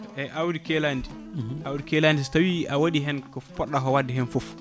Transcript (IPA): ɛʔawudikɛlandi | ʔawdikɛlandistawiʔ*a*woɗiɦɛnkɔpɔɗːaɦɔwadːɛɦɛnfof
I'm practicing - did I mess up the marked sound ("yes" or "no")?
no